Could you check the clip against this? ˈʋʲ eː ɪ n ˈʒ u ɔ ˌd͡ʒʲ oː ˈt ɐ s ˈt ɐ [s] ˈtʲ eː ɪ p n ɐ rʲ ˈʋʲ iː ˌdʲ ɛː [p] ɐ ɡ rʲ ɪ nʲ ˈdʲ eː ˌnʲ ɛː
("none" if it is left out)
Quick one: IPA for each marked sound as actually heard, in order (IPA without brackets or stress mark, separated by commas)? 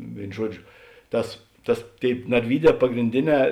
s, p